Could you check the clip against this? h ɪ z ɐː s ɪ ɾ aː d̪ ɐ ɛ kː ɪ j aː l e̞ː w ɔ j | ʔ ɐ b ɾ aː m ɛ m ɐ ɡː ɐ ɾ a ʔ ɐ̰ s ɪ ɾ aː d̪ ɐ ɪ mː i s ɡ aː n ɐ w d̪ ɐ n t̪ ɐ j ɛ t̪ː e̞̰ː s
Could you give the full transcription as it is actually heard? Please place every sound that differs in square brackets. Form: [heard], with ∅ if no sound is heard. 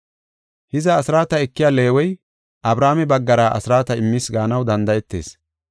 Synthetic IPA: h ɪ z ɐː s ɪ ɾ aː [t̪] ɐ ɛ kː ɪ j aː l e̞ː w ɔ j | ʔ ɐ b ɾ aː m ɛ [b] ɐ ɡː ɐ ɾ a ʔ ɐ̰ s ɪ ɾ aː [t̪] ɐ ɪ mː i s ɡ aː n ɐ w d̪ ɐ n [d̪] ɐ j ɛ t̪ː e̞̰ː s

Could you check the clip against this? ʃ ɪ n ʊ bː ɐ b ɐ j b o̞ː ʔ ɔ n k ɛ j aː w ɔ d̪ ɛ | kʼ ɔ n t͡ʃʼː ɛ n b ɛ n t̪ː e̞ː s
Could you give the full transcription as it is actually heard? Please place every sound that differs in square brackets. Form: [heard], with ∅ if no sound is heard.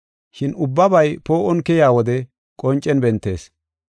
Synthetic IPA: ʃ ɪ n ʊ bː ɐ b ɐ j [p] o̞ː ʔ ɔ n k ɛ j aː w ɔ d̪ ɛ | kʼ ɔ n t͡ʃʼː ɛ n b ɛ n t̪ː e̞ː s

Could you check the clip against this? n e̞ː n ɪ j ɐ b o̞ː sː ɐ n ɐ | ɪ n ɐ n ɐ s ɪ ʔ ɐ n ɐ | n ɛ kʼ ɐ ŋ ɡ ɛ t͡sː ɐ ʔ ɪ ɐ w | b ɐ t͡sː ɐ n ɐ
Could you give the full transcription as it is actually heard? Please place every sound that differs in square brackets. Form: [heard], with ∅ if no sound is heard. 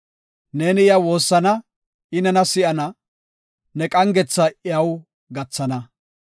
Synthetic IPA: n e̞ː n ɪ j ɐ [w] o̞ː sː ɐ n ɐ | ɪ n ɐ n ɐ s ɪ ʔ ɐ n ɐ | n ɛ kʼ ɐ ŋ ɡ ɛ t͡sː ɐ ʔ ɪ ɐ w | [ɡ] ɐ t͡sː ɐ n ɐ

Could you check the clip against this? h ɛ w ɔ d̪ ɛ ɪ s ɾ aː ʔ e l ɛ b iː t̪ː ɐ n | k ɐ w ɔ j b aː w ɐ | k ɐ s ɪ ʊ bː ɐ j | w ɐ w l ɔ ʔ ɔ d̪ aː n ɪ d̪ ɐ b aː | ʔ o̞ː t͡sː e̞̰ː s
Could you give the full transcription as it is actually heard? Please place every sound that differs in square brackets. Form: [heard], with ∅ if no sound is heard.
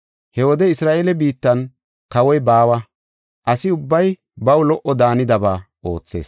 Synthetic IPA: h ɛ w ɔ d̪ ɛ ɪ s ɾ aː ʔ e l ɛ b iː t̪ː ɐ n | k ɐ w ɔ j b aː w ɐ | [ʔ] ɐ s ɪ ʊ bː ɐ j | [b] ɐ w l ɔ ʔ ɔ d̪ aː n ɪ d̪ ɐ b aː | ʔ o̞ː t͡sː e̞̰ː s

